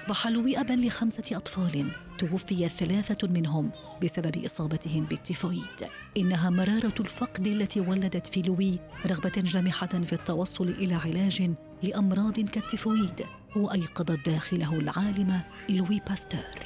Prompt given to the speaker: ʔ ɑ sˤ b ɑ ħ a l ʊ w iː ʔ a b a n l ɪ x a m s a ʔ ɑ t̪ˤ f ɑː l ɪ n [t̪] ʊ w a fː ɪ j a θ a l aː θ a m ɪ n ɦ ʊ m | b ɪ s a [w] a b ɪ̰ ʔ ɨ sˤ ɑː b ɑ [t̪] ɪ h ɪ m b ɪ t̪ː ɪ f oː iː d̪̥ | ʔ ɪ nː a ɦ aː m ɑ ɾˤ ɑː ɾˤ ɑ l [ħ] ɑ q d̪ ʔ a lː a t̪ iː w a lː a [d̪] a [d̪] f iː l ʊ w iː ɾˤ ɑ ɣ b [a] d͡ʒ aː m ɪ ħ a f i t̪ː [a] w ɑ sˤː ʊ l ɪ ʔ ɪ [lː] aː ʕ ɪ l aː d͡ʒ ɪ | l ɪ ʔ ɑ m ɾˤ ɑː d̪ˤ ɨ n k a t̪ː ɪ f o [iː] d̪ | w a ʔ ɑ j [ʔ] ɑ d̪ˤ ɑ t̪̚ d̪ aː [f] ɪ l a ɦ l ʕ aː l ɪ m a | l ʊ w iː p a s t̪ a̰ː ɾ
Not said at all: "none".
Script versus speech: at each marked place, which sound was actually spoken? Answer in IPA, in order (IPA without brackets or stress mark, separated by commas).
t̪, b, t̪, f, d̪, t̪, a, ɑ, l, iː, q, x